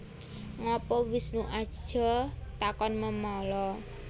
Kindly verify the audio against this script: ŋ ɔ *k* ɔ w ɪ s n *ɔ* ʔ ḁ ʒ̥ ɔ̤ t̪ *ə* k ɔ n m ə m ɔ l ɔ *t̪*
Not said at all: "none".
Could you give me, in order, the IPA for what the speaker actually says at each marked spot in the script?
p, u, a, none

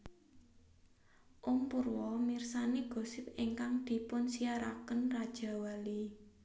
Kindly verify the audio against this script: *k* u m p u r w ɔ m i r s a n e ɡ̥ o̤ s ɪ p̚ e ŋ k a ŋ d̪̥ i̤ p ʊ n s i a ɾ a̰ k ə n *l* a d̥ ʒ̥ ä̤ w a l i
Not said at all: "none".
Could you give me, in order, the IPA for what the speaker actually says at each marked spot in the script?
ʔ, r

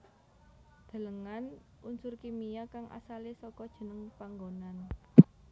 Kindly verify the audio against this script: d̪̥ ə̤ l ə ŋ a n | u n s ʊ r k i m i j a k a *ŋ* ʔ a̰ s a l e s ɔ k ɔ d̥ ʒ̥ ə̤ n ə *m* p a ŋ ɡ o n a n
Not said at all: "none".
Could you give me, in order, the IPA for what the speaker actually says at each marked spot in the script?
ŋ, ŋ

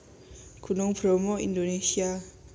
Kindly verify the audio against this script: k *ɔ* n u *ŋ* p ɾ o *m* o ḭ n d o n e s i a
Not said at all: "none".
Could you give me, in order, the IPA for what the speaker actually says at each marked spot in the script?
u, ŋ, m

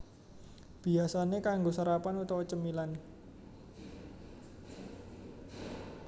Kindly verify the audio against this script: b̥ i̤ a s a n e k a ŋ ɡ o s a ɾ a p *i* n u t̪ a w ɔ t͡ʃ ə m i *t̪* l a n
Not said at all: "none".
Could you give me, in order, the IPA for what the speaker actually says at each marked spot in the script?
a, none

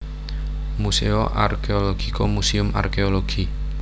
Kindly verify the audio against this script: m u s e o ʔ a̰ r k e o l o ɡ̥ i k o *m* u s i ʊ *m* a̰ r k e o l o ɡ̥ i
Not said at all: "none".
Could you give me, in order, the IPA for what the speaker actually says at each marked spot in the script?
m, m

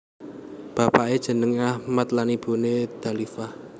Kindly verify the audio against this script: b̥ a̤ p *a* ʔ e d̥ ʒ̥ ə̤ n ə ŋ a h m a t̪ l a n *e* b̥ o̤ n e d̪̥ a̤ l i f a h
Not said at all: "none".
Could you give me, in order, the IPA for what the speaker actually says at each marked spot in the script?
a, i

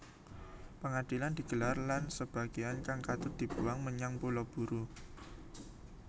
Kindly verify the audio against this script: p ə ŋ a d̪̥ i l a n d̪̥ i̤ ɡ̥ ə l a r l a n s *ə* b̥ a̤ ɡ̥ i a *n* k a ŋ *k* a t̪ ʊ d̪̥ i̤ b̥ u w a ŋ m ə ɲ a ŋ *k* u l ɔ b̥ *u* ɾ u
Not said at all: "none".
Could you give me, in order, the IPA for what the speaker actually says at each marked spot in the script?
ə, n, k, p, u

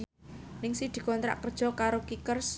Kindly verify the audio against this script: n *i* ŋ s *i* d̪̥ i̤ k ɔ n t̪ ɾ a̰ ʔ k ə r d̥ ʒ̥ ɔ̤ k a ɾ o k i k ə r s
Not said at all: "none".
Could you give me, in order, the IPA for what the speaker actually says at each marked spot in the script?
ɪ, i

